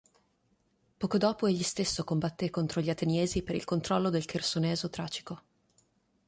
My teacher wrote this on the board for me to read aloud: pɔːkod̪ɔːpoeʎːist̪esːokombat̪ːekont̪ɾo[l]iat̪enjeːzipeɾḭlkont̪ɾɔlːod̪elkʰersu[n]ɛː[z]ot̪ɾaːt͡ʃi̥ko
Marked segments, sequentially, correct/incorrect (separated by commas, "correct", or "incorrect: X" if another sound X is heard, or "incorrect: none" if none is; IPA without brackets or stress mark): incorrect: ʎ, correct, correct